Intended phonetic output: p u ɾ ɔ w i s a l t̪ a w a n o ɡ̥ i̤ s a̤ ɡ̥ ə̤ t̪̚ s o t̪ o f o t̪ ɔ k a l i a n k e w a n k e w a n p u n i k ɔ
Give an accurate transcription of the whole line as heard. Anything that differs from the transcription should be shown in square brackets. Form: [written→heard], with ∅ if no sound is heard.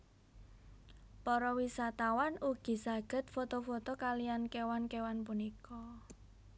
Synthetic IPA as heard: p [u→ɔ] ɾ ɔ w i s a [l→∅] t̪ a w a n [o→u] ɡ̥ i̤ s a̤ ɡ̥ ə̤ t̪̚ [s→f] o t̪ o f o t̪ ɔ k a l i a n k e w a n k e w a n p u n i k ɔ